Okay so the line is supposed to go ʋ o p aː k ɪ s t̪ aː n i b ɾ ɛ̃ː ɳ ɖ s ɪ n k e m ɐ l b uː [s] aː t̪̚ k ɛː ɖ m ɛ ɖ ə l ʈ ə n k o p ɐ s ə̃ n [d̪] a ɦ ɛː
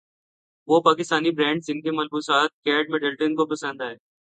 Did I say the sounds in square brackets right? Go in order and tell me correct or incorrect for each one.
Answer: correct, correct

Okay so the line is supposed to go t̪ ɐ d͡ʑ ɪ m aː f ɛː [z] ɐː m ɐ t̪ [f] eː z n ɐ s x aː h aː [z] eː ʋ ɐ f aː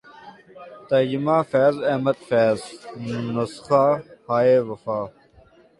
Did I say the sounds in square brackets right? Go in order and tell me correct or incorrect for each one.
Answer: correct, correct, incorrect: none

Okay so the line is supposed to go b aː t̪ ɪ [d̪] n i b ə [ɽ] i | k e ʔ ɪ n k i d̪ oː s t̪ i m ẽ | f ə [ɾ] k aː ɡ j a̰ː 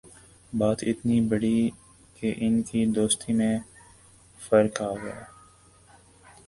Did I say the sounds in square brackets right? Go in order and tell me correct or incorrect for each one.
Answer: incorrect: t̪, correct, correct

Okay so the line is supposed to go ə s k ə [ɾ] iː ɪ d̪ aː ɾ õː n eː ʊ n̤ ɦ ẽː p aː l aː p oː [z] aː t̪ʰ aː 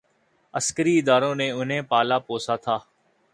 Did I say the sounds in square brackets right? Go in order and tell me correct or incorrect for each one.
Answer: correct, incorrect: s

